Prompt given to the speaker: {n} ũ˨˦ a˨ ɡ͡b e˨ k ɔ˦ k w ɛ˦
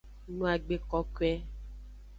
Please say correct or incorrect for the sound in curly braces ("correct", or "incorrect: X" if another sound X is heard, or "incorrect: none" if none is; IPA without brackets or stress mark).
correct